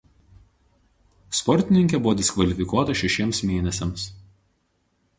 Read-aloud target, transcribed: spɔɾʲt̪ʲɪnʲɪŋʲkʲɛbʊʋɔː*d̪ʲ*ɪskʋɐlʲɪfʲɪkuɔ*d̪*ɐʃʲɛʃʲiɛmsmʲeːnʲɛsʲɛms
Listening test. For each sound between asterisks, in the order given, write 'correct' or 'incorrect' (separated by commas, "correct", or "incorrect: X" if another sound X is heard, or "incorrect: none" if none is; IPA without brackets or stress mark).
correct, incorrect: t̪